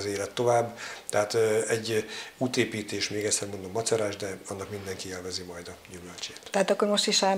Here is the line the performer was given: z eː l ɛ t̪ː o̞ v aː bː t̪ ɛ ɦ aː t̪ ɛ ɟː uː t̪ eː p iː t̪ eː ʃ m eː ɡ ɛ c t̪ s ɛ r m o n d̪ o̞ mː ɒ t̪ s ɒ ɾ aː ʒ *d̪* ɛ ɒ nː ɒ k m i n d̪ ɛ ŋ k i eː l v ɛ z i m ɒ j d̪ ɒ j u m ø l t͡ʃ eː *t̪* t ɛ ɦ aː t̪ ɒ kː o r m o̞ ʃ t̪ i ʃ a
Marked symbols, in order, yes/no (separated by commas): yes, yes